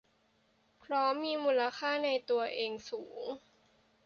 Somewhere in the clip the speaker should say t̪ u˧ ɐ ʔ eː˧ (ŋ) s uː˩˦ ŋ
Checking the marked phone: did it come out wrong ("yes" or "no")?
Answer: no